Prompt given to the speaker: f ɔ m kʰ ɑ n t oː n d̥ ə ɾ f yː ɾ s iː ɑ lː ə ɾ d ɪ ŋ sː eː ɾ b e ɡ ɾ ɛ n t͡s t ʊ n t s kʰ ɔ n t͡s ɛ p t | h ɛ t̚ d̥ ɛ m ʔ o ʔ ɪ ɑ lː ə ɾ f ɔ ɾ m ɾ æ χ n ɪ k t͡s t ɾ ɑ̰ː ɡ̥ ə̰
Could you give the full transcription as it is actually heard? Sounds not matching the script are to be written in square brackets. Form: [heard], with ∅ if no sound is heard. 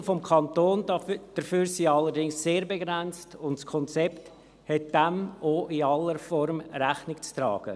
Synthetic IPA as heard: f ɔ m kʰ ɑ n t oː n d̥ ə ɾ f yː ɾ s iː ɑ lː ə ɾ d ɪ ŋ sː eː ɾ b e ɡ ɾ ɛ n t͡s t ʊ n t s kʰ ɔ n t͡s ɛ p t | h ɛ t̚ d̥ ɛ m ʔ o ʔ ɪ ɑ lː ə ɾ f ɔ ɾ m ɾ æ χ n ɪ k t͡s t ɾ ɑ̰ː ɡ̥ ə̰